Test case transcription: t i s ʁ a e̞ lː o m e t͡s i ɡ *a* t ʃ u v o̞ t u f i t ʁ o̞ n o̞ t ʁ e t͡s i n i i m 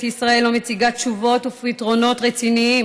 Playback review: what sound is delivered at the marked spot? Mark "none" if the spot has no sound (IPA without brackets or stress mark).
a